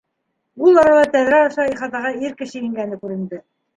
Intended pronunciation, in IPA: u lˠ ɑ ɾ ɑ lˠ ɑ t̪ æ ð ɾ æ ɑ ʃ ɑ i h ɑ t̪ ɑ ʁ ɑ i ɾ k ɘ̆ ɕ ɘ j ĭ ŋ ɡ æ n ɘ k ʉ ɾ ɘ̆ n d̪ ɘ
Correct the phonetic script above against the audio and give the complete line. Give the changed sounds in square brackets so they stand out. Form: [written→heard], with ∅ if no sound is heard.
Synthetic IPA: u lˠ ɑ ɾ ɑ lˠ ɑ t̪ æ ð ɾ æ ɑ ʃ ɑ i [h→χ] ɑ t̪ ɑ ʁ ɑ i ɾ k ɘ̆ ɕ ɘ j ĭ ŋ ɡ æ n ɘ k ʉ ɾ ɘ̆ n d̪ ɘ